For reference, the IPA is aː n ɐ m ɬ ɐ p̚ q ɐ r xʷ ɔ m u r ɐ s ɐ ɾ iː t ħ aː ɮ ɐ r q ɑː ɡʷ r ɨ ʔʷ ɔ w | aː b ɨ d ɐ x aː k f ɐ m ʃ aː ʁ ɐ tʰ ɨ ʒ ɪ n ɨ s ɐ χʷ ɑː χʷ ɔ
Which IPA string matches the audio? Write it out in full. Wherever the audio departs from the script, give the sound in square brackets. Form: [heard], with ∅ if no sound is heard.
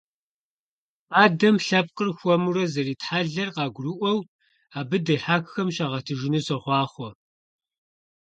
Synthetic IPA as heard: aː [d] ɐ m ɬ ɐ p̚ q [ə] r xʷ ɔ m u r ɐ [z] ɐ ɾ iː t ħ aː ɮ ɐ r q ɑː ɡʷ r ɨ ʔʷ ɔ w | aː b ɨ d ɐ [ħ] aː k [x] ɐ m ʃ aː ʁ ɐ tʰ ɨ ʒ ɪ n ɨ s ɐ χʷ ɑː χʷ ɔ